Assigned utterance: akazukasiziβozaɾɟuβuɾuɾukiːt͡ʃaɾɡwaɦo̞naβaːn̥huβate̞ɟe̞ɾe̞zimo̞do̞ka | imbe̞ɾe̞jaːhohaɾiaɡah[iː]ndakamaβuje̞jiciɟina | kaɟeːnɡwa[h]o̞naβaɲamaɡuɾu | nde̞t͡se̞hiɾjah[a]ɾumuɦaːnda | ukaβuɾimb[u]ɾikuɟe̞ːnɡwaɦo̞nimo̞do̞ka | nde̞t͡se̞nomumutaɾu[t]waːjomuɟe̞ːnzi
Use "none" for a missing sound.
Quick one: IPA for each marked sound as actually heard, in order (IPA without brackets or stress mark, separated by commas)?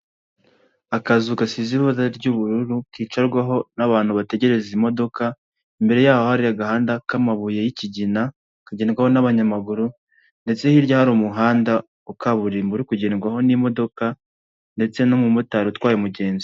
aː, h, a, u, t